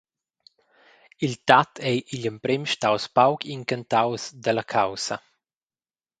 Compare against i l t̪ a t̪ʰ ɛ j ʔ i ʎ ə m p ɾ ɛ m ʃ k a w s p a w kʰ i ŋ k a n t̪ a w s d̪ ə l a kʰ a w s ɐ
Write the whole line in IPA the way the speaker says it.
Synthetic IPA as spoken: i l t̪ a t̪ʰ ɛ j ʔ i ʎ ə m p ɾ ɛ m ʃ t a w s p a w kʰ i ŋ k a n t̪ a w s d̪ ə l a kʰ a w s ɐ